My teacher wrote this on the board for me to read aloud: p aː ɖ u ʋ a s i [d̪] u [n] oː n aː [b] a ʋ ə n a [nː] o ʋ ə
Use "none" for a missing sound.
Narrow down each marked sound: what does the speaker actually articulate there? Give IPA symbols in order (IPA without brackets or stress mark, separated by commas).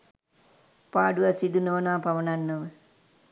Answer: d̪, n, p, nː